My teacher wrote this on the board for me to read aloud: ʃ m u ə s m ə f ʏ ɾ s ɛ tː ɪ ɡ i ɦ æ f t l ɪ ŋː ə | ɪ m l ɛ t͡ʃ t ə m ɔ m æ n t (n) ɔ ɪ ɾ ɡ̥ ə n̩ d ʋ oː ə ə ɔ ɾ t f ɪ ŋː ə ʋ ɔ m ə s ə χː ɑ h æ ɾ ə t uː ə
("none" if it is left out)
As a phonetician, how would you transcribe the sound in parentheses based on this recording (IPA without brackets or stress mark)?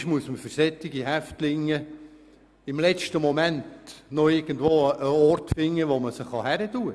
n